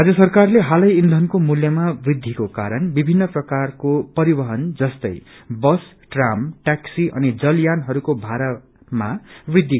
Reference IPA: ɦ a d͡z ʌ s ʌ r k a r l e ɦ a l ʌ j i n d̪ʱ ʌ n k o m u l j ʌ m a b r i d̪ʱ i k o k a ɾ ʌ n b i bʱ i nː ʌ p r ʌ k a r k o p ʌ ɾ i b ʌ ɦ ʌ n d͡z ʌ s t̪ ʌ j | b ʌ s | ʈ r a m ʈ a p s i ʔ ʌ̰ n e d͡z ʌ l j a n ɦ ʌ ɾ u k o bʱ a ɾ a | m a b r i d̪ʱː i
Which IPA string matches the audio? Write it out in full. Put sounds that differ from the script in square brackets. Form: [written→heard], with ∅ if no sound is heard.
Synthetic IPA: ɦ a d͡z ʌ s ʌ r k a r l e ɦ a l ʌ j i n d̪ʱ ʌ n k o m u l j ʌ m a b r i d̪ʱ i k o k a ɾ ʌ n b i bʱ i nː ʌ p r ʌ k a r k o p ʌ ɾ i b ʌ ɦ ʌ n d͡z ʌ s t̪ ʌ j | b ʌ s | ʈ r a m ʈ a [p→k] s i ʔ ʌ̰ n [e→i] d͡z ʌ l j a n ɦ ʌ ɾ u k o bʱ a ɾ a | m a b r i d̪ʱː i